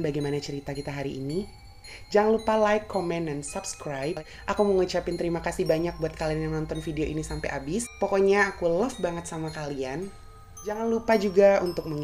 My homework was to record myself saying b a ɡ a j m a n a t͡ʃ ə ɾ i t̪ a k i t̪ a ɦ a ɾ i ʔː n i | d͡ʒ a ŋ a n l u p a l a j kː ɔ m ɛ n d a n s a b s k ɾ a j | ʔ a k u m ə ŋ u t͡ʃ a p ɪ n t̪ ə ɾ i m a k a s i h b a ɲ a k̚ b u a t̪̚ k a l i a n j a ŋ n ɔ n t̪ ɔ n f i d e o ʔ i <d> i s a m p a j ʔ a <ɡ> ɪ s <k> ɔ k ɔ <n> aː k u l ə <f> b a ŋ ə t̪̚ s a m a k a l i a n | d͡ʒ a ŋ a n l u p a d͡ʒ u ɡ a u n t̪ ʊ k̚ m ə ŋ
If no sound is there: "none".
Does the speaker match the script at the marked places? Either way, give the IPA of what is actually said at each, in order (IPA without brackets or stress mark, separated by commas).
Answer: n, b, p, ɲ, f